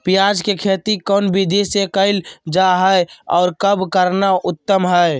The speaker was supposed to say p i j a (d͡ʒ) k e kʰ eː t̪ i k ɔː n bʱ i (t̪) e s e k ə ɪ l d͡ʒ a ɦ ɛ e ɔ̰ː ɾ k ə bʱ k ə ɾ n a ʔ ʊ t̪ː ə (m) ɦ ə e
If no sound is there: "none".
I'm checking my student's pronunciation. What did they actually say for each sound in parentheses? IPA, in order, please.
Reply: d͡ʒ, d̪, m

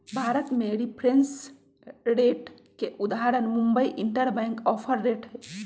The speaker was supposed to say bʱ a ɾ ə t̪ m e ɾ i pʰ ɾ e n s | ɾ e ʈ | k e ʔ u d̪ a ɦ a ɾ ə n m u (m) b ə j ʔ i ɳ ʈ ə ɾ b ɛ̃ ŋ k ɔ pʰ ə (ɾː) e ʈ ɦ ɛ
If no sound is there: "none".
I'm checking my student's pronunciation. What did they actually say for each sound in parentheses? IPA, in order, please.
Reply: m, ɾː

